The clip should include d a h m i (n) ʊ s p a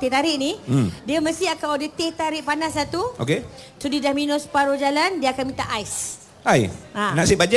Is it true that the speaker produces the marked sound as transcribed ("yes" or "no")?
yes